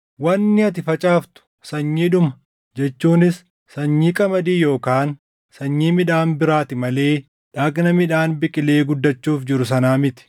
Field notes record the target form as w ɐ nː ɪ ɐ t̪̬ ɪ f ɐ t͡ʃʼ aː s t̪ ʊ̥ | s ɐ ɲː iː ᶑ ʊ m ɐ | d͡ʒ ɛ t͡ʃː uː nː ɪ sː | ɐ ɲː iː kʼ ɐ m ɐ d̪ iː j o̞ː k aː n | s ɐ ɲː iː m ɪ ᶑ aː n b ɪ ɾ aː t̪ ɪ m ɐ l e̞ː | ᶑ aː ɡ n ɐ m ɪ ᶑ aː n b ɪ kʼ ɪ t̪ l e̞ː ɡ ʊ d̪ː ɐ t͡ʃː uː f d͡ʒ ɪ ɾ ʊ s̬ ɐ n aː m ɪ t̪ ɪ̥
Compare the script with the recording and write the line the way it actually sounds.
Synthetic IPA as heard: w ɐ nː ɪ ɐ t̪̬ ɪ f ɐ t͡ʃʼ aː f t̪ ʊ̥ | s ɐ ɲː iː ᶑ ʊ m ɐ | d͡ʒ ɛ t͡ʃː uː n ɪ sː | ɐ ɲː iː kʼ ɐ m ɐ d̪ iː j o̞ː k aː n | s ɐ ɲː iː m ɪ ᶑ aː n b ɪ ɾ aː t̪ ɪ m ɐ l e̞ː | ᶑ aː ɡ n ɐ m ɪ ᶑ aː n b ɪ kʼ ɪ l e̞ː ɡ ʊ d̪ː ɐ t͡ʃː uː f d͡ʒ ɪ ɾ ʊ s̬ ɐ n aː m ɪ t̪ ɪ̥

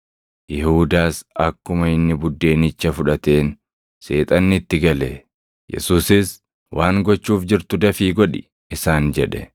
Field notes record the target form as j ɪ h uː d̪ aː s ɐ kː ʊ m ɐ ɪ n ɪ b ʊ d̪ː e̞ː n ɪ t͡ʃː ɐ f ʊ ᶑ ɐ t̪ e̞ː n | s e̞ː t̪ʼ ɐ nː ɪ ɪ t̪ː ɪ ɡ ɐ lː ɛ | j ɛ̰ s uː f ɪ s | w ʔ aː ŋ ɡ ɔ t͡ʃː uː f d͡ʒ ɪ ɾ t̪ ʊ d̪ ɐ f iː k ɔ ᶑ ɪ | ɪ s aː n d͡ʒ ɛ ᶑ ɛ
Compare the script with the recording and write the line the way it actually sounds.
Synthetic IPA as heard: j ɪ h uː d̪ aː s ɐ kː ʊ m ɐ ɪ nː ɪ b ʊ d̪ː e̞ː n ɪ t͡ʃː ɐ f ʊ ᶑ ɐ t̪ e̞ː n | s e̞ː t̪ʼ ɐ nː ɪ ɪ t̪ː ɪ ɡ ɐ l ɛ | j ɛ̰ s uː s ɪ s | w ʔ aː ŋ ɡ ɔ t͡ʃː uː f d͡ʒ ɪ ɾ t̪ ʊ d̪ ɐ f iː ɡ ɔ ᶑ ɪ | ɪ s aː n d͡ʒ ɛ ᶑ ɛ

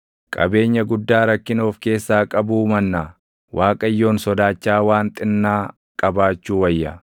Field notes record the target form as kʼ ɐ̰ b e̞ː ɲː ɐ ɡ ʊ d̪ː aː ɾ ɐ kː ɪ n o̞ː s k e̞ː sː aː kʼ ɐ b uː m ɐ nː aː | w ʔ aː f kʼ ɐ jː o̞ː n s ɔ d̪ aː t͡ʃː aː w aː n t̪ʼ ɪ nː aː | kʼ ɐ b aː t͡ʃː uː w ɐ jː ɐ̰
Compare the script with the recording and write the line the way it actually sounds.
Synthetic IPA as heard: kʼ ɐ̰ b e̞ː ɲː ɐ ɡ ʊ d̪ː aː ɾ ɐ kː ɪ n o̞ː f k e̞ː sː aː kʼ ɐ b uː m ɐ nː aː | w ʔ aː kʼ ɐ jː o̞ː n s ɔ d̪ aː t͡ʃː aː w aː n t̪ʼ ɪ nː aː | kʼ ɐ b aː t͡ʃː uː w ɐ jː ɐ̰

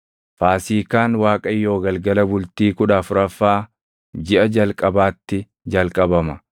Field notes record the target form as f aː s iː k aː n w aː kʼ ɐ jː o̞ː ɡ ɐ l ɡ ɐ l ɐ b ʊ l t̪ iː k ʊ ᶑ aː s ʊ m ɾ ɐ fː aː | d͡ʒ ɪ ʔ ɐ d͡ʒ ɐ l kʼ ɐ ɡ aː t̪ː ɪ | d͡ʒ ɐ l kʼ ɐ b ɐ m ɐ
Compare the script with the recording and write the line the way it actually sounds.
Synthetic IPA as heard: f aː s iː k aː n w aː kʼ ɐ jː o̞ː ɡ ɐ l ɡ ɐ l ɐ b ʊ l t̪ iː k ʊ ᶑ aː f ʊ ɾ ɐ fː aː | d͡ʒ ɪ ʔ ɐ d͡ʒ ɐ l kʼ ɐ b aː t̪ː ɪ | d͡ʒ ɐ l kʼ ɐ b ɐ m ɐ

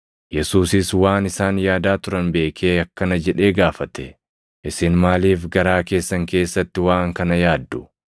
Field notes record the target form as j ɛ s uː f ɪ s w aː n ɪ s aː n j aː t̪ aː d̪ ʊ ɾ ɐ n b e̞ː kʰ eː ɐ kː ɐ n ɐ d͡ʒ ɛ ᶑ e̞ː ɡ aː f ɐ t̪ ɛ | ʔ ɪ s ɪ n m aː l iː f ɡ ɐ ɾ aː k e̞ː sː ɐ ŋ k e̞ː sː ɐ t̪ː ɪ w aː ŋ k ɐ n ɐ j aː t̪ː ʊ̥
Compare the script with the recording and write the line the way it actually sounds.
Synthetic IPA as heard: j ɛ s uː s ɪ s w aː n ɪ s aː n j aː d̪ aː t̪ ʊ ɾ ɐ n b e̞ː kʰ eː ɐ kː ɐ n ɐ d͡ʒ ɛ ᶑ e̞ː ɡ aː f ɐ t̪ ɛ | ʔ ɪ s ɪ n m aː l iː f ɡ ɐ ɾ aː k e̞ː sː ɐ ŋ k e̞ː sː ɐ t̪ː ɪ w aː ŋ k ɐ n ɐ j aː d̪ː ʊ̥

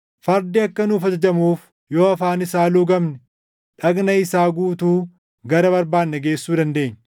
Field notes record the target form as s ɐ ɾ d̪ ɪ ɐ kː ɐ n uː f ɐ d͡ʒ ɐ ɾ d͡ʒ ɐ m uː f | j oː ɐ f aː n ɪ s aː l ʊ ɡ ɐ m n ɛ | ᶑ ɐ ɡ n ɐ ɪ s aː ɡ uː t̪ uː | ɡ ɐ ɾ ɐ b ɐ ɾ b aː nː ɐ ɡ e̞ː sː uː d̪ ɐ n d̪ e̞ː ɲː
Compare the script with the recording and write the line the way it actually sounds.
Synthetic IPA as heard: f ɐ ɾ d̪ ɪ ɐ kː ɐ n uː f ɐ d͡ʒ ɐ d͡ʒ ɐ m uː f | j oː ɐ f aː n ɪ s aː l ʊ ɡ ɐ m n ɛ | ᶑ ɐ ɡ n ɐ ɪ s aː ɡ uː t̪ uː | ɡ ɐ ɾ ɐ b ɐ ɾ b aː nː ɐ ɡ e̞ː sː uː d̪ ɐ n d̪ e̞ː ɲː

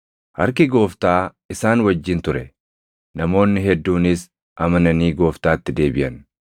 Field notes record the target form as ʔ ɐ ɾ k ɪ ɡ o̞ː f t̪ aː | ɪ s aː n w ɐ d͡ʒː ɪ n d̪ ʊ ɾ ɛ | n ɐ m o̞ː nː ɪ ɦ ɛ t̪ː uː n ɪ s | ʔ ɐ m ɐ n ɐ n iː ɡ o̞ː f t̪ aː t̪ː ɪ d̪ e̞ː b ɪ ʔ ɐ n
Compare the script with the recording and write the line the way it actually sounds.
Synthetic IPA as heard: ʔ ɐ ɾ k ɪ ɡ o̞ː f t̪ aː | ɪ s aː n w ɐ d͡ʒː ɪ n t̪ ʊ ɾ ɛ | n ɐ m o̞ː nː ɪ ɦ ɛ d̪ː uː n ɪ s | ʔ ɐ m ɐ n ɐ n iː ɡ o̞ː f t̪ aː t̪ː ɪ d̪ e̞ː b ɪ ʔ ɐ n

